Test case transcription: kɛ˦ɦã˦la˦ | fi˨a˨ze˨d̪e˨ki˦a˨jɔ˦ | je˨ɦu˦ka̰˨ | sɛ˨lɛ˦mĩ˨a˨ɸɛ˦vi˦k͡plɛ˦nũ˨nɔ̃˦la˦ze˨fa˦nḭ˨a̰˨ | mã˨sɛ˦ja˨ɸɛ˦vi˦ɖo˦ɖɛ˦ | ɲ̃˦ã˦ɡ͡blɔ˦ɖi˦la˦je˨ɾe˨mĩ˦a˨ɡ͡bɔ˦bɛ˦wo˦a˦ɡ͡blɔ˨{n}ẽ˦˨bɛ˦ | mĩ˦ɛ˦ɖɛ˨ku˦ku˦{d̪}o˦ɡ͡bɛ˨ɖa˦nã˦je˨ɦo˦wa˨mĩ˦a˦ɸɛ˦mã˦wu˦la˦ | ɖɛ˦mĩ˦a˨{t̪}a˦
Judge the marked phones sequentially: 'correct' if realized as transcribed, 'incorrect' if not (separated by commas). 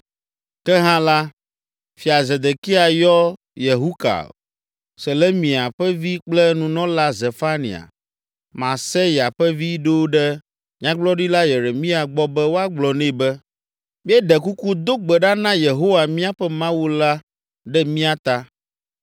correct, correct, correct